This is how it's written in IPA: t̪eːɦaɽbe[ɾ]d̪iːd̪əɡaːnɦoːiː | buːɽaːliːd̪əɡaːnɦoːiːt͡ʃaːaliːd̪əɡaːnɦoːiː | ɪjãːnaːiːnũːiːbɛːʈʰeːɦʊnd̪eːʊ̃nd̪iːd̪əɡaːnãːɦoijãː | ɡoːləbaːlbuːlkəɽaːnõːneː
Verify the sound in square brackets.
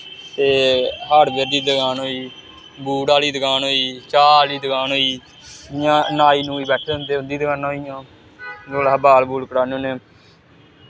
correct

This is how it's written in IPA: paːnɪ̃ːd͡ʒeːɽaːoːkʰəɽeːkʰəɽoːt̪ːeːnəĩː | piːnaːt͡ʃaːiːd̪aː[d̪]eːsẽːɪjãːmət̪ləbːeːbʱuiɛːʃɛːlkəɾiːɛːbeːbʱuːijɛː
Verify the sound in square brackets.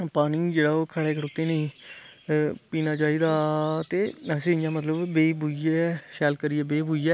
incorrect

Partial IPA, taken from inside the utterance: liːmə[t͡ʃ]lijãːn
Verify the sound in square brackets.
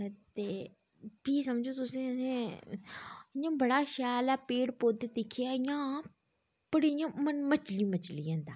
correct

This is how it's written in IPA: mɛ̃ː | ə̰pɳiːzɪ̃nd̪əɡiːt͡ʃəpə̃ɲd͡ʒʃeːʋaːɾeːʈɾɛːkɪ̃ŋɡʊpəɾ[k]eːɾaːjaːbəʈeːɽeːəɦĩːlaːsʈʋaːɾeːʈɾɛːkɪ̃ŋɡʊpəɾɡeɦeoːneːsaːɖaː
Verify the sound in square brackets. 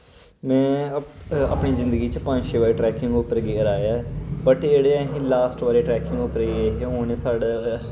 incorrect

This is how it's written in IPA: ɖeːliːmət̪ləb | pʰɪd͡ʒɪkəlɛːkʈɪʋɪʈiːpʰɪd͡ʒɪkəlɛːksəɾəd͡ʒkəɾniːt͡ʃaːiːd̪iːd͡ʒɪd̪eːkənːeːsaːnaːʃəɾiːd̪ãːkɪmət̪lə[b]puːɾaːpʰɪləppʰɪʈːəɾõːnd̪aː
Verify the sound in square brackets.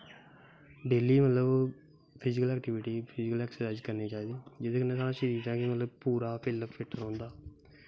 correct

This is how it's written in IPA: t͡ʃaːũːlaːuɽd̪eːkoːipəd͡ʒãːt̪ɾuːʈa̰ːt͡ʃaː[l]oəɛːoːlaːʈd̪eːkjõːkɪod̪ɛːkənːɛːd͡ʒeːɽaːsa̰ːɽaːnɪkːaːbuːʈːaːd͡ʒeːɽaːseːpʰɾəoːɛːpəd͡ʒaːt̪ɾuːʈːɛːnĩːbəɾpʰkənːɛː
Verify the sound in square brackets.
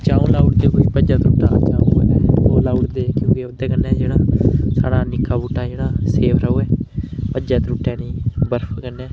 incorrect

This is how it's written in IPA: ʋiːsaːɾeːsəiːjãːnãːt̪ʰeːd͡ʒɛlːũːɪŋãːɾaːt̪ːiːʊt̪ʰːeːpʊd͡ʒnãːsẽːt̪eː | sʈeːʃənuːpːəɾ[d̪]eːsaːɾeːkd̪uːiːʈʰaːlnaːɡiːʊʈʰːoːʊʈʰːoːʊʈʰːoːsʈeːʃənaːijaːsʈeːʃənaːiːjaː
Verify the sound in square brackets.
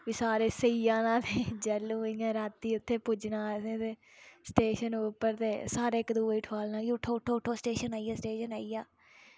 incorrect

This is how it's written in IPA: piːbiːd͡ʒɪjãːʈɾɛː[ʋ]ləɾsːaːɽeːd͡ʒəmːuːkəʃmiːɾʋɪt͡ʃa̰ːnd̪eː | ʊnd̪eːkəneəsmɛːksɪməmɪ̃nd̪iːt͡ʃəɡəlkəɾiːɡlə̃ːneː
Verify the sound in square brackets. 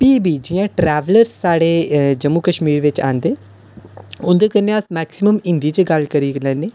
correct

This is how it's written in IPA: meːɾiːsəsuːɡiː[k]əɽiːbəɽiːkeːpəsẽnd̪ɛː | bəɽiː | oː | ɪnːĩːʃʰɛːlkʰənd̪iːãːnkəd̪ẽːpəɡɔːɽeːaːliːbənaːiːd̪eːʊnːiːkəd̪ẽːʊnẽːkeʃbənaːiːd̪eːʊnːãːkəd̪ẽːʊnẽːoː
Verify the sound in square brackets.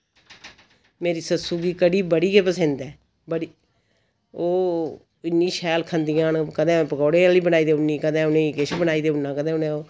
correct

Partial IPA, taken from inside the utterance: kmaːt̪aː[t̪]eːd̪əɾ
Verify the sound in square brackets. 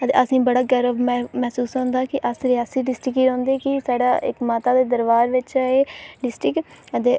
incorrect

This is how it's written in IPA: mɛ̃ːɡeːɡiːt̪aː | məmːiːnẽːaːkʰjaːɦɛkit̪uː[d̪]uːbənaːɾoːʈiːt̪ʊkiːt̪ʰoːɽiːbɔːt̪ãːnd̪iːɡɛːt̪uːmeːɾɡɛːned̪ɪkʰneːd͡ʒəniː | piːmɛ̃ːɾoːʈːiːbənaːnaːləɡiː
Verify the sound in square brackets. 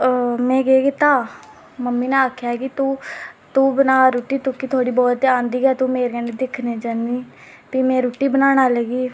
incorrect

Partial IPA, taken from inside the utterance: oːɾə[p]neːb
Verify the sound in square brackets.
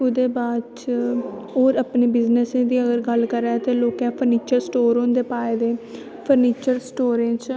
correct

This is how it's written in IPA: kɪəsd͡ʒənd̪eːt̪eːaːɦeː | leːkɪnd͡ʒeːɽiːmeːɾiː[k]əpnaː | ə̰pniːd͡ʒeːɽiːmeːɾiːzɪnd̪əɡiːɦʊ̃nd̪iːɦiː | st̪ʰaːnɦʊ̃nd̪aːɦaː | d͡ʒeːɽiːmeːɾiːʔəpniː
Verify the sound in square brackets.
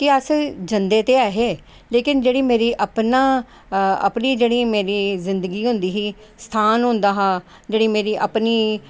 incorrect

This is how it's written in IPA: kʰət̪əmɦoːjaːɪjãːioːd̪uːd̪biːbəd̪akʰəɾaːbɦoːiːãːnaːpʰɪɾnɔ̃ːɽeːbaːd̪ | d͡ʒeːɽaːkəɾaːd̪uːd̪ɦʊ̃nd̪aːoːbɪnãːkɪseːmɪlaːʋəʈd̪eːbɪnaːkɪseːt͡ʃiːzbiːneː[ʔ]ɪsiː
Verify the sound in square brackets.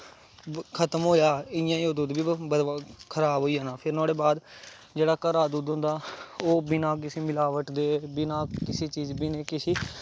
incorrect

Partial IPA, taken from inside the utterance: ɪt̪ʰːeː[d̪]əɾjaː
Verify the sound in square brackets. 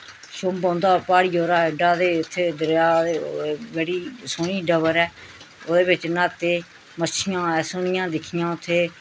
correct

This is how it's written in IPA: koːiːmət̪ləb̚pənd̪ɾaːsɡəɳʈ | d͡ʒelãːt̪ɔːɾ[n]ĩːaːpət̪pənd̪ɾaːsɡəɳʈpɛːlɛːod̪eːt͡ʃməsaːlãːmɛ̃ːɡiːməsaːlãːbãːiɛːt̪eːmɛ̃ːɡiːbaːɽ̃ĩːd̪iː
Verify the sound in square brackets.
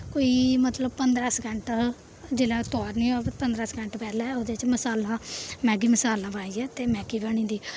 correct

